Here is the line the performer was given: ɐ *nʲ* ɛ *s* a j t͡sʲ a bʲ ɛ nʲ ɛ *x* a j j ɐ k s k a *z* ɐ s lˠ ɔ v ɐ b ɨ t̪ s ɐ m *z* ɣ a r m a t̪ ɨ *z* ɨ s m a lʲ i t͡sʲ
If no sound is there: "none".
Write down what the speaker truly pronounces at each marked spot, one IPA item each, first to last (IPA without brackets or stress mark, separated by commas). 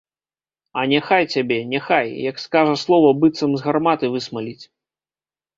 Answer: nʲ, x, x, ʐ, z, v